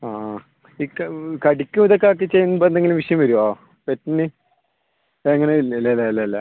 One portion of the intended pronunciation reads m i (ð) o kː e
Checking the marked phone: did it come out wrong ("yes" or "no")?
no